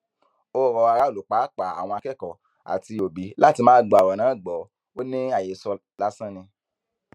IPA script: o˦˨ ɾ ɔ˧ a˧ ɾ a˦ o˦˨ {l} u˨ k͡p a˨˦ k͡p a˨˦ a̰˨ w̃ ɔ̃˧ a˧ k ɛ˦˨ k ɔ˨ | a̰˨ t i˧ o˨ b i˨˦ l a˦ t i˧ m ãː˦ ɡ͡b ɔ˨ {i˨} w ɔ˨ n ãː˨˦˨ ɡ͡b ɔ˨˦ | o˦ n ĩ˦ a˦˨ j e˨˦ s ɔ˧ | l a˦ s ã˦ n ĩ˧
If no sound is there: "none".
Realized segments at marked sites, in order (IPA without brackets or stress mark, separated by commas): l, a˨